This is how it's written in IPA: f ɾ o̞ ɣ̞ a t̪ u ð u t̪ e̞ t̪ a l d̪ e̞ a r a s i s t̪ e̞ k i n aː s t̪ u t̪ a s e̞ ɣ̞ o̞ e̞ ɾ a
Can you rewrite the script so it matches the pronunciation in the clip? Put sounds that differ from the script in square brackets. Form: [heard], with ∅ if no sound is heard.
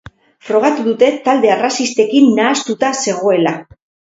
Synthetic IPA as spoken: f ɾ o̞ ɣ̞ a t̪ u ð u t̪ e̞ t̪ a l d̪ e̞ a r a s i s t̪ e̞ k i [nː] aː s t̪ u t̪ a s e̞ ɣ̞ o̞ e̞ [l] a